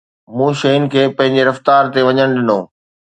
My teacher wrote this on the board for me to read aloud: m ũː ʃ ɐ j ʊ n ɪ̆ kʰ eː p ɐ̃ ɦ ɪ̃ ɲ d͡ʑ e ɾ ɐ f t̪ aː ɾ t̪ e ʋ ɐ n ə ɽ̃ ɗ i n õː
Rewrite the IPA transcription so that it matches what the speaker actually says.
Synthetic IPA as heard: m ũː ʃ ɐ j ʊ n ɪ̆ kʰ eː p ɐ̃ ɦ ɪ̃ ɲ d͡ʑ e ɾ ɐ f t̪ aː ɾ t̪ e ʋ ɐ ɲ ə ɽ̃ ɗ ɪ n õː